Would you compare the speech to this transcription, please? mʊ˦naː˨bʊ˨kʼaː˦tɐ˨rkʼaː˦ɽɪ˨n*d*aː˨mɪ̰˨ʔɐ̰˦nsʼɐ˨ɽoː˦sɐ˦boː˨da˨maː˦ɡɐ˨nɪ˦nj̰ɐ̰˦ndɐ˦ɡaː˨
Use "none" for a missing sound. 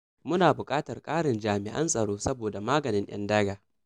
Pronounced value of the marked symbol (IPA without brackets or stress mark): d͡ʒ